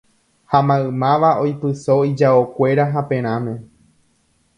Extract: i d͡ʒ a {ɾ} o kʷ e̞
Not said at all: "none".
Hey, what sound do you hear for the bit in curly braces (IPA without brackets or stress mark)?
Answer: none